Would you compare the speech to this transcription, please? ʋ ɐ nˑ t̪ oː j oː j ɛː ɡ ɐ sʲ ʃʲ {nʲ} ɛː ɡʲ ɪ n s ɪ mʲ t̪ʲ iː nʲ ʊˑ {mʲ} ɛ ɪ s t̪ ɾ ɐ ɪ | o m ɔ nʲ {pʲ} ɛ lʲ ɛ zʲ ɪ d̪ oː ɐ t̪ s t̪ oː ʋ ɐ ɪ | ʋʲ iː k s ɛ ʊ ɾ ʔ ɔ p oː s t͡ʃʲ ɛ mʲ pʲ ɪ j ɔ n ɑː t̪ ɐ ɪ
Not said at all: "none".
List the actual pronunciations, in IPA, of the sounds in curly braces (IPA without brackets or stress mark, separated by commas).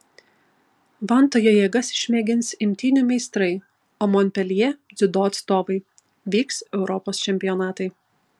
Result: mʲ, mʲ, pʲ